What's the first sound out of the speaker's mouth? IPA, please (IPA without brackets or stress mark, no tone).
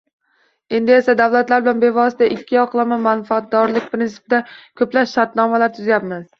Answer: e̞